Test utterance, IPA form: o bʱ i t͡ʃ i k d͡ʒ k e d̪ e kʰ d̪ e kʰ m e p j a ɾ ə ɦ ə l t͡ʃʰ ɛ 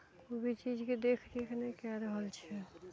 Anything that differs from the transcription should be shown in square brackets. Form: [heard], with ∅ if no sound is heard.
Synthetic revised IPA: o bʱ i t͡ʃ i [∅] d͡ʒ k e d̪ e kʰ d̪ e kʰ [n] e [k] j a ɾ ə ɦ ə l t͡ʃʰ ɛ

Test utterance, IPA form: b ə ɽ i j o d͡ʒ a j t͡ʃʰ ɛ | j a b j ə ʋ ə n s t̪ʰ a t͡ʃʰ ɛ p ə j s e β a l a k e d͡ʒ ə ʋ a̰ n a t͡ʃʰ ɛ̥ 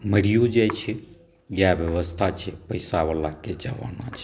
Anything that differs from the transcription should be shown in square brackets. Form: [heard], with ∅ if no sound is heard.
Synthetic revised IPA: [m] ə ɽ i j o d͡ʒ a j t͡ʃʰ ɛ | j a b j ə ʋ ə [∅] s t̪ʰ a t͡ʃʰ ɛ p ə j s [a] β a l a k e d͡ʒ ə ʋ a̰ n a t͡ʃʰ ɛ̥

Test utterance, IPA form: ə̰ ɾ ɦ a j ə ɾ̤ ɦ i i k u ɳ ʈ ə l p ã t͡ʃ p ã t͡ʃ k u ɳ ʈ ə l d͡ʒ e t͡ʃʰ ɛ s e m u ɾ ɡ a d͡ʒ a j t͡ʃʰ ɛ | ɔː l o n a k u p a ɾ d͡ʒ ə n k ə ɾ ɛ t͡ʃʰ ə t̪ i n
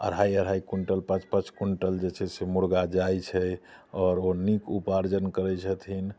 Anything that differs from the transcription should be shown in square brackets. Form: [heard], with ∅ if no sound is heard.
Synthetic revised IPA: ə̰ ɾ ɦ a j ə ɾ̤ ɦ [a] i k u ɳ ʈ ə l p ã t͡ʃ p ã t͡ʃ k u ɳ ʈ ə l d͡ʒ e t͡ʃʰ ɛ s e m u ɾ ɡ a d͡ʒ a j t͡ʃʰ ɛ | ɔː [ɾ] o n [i] k u p a ɾ d͡ʒ ə n k ə ɾ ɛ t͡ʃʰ ə [t̪ʰ] i n

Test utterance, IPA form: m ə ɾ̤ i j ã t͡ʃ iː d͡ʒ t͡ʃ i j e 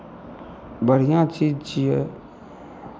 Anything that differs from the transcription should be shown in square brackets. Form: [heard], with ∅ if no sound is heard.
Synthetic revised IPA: [b] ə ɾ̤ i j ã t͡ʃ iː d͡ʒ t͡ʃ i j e

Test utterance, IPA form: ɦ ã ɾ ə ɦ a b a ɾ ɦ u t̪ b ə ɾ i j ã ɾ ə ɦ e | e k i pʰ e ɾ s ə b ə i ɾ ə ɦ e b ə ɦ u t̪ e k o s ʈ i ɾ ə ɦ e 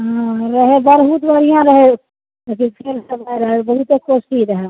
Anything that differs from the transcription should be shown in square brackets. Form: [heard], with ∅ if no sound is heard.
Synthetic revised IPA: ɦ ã ɾ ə ɦ [e] b [ə] ɾ ɦ u t̪ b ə ɾ i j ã ɾ ə ɦ e | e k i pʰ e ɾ s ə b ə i ɾ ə ɦ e b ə ɦ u t̪ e k o s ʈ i ɾ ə ɦ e

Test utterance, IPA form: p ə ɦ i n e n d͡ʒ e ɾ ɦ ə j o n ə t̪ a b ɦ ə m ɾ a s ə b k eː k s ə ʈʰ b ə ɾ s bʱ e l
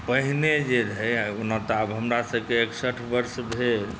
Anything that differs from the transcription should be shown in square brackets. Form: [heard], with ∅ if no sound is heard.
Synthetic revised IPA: p ə ɦ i n e [∅] d͡ʒ e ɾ ɦ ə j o n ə t̪ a b ɦ ə m ɾ a s ə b k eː k s ə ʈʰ b ə ɾ s bʱ e l

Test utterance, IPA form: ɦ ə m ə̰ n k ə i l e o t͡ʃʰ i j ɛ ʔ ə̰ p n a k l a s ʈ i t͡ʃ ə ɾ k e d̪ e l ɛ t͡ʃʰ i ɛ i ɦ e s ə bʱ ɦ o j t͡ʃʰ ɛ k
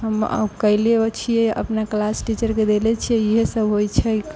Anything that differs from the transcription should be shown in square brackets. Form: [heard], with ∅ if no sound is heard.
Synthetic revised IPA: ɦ ə m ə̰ [∅] k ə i l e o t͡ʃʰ i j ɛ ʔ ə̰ p n a k l a s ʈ i t͡ʃ ə ɾ k e d̪ e l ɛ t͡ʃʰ i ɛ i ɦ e s ə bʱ ɦ o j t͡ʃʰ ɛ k

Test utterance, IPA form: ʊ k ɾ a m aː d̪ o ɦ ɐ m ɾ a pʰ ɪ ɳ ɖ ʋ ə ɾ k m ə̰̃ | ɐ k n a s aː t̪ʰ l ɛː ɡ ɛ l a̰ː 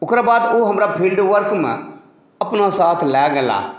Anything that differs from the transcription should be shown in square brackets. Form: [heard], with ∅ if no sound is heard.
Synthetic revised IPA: ʊ k ɾ a [b] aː d̪ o ɦ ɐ m ɾ a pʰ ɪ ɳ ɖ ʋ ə ɾ k m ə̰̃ | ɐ [p] n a s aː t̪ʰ l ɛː ɡ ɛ l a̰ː

